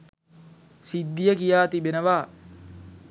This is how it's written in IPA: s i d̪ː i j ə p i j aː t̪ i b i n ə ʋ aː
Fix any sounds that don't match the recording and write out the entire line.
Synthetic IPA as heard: s i d̪ː i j ə k i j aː t̪ i b e n ə ʋ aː